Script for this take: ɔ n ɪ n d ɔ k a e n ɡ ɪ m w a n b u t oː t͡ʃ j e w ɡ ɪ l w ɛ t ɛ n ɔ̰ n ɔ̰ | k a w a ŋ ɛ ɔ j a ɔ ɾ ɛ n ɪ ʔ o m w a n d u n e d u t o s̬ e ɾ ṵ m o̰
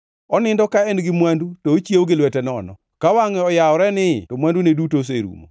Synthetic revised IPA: ɔ n ɪ n d ɔ k a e n ɡ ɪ m w a n d u t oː t͡ʃ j e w ɡ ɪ l w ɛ t ɛ n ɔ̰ n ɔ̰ | k a w a ŋ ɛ ɔ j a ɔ ɾ ɛ n ɪ t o m w a n d u n e d u t o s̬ e ɾ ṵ m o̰